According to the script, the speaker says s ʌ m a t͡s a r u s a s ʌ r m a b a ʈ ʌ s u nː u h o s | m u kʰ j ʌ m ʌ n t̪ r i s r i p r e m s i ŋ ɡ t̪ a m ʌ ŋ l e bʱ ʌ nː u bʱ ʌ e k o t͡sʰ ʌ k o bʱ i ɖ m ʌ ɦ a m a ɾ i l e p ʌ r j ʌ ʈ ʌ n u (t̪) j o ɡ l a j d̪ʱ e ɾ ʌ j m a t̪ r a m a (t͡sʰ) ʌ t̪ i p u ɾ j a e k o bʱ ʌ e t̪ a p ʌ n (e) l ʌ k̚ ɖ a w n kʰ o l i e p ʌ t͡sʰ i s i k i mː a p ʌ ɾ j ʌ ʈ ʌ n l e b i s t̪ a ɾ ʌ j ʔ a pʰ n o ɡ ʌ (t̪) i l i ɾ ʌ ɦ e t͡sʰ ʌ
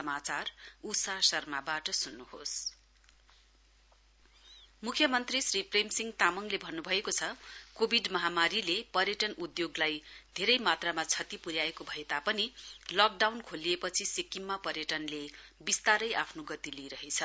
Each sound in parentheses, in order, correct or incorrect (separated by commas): incorrect, correct, incorrect, correct